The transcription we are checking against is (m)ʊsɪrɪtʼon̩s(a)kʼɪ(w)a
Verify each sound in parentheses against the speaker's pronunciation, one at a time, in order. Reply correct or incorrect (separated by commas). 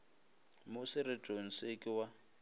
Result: correct, incorrect, correct